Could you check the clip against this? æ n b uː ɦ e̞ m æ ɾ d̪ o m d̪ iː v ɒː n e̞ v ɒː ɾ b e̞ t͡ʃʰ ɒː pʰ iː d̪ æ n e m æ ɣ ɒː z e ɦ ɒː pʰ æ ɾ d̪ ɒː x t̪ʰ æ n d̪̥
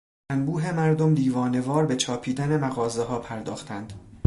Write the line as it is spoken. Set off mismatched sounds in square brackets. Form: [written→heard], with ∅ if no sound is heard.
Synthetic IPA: æ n b uː ɦ e̞ m æ ɾ d̪ o m d̪ iː v ɒː n e̞ v ɒː ɾ b e̞ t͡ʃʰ ɒː pʰ iː d̪ æ n e m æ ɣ ɒː z e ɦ ɒː pʰ æ ɾ d̪ ɒː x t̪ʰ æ n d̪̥